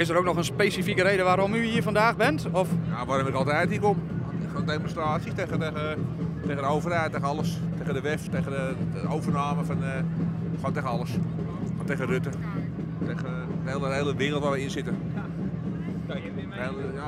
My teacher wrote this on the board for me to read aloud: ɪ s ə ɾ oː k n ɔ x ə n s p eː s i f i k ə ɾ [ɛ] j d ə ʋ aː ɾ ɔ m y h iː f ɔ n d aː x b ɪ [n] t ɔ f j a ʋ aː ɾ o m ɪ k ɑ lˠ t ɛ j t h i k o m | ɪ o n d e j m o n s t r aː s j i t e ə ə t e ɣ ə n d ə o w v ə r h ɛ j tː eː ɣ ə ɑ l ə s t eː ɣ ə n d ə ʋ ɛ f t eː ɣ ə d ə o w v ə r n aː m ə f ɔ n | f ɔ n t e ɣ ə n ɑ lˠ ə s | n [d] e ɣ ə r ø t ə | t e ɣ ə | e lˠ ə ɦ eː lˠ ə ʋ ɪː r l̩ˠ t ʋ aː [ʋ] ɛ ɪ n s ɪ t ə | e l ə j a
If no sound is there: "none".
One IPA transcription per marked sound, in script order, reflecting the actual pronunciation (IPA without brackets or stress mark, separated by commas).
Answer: e, n, t, ʋ